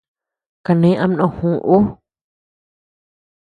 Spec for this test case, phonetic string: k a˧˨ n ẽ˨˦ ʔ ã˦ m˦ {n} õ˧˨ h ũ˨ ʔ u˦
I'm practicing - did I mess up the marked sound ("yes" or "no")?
no